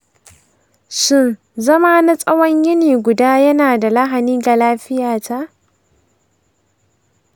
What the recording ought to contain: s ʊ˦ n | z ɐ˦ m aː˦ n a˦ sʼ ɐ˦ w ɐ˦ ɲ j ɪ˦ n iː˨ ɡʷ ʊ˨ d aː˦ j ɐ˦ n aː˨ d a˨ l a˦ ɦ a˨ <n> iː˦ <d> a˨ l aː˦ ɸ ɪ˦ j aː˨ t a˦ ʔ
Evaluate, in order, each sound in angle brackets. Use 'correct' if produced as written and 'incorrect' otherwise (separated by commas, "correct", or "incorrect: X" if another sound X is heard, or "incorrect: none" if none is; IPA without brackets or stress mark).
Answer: correct, incorrect: ɡ